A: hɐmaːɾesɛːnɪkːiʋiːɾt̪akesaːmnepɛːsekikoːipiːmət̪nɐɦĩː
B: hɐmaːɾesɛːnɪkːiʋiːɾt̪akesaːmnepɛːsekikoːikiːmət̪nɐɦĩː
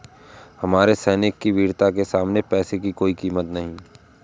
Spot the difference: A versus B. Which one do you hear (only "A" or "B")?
B